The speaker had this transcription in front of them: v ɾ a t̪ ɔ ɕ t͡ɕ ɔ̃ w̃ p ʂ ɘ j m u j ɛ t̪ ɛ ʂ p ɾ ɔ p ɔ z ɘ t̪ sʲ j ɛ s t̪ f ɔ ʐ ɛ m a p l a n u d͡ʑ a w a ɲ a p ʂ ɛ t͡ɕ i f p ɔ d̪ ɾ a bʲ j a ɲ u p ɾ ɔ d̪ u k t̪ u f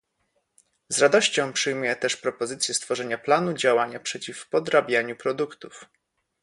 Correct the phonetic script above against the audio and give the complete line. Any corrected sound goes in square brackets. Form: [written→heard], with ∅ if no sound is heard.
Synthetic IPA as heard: [v→z] ɾ a [t̪→d̪] ɔ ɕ t͡ɕ ɔ̃ w̃ p ʂ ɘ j m u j ɛ t̪ ɛ ʂ p ɾ ɔ p ɔ z ɘ t̪ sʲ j ɛ s t̪ f ɔ ʐ ɛ [m→ɲ] a p l a n u d͡ʑ a w a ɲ a p ʂ ɛ t͡ɕ i f p ɔ d̪ ɾ a bʲ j a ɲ u p ɾ ɔ d̪ u k t̪ u f